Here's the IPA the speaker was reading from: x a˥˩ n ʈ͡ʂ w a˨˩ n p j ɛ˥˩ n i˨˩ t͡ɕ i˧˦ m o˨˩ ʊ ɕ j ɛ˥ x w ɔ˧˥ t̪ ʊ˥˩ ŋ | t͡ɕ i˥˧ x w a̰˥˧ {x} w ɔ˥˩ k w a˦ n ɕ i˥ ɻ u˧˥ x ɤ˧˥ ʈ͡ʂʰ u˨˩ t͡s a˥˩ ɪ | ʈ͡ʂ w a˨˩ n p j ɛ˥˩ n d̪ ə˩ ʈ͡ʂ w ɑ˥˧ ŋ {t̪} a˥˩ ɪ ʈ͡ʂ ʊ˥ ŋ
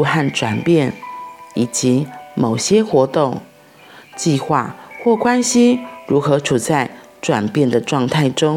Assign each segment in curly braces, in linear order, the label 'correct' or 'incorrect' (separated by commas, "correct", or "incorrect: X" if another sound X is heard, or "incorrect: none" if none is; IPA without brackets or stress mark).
correct, incorrect: t̪ʰ